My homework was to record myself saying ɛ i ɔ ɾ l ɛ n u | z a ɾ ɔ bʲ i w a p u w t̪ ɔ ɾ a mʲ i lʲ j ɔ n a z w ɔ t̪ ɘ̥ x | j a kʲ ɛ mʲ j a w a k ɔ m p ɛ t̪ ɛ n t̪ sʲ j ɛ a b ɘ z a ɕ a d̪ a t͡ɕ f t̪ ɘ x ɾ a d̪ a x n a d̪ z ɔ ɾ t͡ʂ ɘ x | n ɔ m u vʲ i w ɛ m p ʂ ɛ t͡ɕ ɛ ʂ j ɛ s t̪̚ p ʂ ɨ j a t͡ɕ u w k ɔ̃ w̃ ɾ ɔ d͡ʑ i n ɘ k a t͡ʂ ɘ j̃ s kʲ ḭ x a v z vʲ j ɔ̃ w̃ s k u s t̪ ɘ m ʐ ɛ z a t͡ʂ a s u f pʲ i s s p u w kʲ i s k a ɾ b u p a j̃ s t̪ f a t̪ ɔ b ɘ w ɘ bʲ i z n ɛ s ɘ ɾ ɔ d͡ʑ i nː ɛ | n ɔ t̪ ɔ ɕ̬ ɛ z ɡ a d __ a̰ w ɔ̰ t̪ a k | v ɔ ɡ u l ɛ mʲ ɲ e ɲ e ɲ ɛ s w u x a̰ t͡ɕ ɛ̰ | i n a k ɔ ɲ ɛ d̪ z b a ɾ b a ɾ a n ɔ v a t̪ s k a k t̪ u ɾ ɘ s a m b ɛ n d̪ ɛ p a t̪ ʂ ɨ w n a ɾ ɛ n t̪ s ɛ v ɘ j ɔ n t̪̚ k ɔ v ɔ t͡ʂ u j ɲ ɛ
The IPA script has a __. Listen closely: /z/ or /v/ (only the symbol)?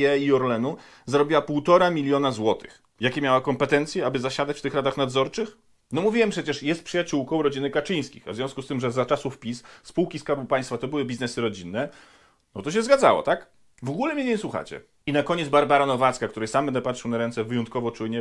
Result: z